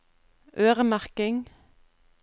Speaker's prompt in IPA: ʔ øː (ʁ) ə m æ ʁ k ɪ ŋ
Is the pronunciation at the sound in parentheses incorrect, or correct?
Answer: correct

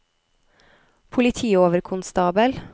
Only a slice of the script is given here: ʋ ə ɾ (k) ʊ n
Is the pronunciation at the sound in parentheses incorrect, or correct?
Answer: incorrect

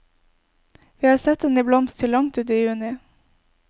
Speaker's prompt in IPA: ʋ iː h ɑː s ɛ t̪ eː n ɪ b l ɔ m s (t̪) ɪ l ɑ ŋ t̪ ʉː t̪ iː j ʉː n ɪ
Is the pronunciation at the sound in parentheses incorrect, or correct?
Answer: incorrect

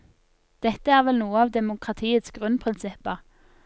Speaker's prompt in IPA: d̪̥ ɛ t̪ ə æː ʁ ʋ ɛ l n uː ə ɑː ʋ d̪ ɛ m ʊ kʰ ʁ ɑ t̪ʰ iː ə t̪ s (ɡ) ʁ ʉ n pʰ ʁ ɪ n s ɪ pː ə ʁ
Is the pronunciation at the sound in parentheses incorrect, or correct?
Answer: correct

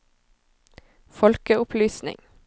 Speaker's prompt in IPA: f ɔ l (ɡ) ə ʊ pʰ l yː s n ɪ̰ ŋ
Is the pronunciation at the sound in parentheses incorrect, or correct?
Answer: incorrect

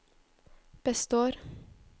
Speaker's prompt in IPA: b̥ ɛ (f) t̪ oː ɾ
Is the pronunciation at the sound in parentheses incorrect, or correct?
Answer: incorrect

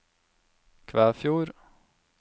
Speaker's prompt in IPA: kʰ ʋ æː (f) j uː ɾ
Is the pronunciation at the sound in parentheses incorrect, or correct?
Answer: correct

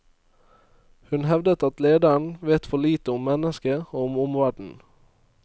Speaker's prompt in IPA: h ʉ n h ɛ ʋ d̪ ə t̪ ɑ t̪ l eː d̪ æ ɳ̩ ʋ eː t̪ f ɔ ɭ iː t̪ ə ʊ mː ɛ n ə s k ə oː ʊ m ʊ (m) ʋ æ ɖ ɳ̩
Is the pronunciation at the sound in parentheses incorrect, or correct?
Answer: correct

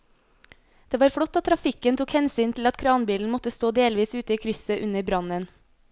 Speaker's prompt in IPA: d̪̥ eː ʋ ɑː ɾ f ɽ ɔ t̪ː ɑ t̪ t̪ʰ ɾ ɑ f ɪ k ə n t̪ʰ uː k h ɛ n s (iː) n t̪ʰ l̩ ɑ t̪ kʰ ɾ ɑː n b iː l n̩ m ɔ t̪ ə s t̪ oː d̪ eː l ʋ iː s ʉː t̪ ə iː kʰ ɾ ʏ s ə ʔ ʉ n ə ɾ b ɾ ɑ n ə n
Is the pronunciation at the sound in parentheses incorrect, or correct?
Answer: incorrect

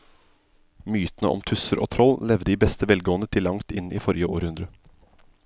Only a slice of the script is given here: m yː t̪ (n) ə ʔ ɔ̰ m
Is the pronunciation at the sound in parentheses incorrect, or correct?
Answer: correct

